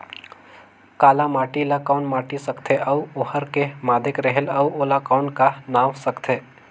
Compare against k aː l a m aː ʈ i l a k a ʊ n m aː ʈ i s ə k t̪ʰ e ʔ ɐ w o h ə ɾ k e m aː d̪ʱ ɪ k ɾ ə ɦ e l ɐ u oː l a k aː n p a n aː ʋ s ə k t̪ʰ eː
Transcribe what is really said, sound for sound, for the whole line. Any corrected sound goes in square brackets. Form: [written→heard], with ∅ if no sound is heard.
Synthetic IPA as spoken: k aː l a m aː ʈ i l a k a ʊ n m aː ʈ i s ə k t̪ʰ e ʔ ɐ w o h ə ɾ k e m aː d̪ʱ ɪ k ɾ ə ɦ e l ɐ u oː l a k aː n [p→k] a n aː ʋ s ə k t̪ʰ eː